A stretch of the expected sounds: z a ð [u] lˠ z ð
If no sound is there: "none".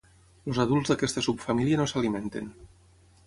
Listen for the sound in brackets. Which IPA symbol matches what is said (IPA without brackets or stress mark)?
u